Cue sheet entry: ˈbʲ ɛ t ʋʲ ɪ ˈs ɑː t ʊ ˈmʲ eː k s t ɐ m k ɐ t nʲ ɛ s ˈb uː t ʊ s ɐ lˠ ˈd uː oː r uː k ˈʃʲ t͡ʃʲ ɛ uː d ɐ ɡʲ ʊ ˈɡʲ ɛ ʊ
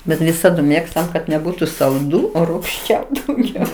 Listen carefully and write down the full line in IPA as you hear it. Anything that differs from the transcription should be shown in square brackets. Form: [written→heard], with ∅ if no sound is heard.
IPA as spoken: ˈbʲ ɛ t ʋʲ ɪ ˈs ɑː [t→d] ʊ ˈmʲ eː k s t ɐ m k ɐ t nʲ ɛ [s→∅] ˈb uː t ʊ s ɐ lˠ ˈd uː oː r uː k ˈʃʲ t͡ʃʲ ɛ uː d ɐ [ɡʲ→∅] ʊ ˈɡʲ ɛ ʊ